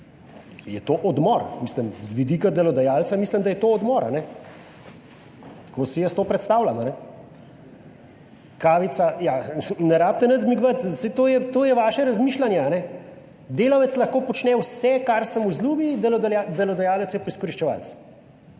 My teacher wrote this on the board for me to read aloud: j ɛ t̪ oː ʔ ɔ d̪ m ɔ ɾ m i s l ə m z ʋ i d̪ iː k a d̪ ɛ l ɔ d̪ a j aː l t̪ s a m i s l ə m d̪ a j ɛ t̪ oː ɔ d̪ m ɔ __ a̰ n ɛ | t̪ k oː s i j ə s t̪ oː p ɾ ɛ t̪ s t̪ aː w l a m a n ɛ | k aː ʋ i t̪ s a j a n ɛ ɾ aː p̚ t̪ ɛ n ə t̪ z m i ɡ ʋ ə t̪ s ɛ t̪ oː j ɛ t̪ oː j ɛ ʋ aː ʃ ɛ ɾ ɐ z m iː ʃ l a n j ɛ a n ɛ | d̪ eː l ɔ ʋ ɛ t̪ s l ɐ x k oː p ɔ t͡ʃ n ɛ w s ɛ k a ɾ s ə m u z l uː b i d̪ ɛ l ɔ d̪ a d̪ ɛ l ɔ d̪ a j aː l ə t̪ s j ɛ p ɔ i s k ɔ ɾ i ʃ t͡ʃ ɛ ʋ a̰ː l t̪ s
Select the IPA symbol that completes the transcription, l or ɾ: ɾ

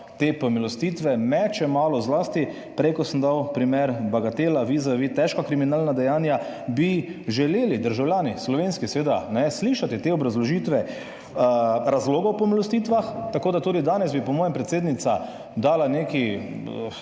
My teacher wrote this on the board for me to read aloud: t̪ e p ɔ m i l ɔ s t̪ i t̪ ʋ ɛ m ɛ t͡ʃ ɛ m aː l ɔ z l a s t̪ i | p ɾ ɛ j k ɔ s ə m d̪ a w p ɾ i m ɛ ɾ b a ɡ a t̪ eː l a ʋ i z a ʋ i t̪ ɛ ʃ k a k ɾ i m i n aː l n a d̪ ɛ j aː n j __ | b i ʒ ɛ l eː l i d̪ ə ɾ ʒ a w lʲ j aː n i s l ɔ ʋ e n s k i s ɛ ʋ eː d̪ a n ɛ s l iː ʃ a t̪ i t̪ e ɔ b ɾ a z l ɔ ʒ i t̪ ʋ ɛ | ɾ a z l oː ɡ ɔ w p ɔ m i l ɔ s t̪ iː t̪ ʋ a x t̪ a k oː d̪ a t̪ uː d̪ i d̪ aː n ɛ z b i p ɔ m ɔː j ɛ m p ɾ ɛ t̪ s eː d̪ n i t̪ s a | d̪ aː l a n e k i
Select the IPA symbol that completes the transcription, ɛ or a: a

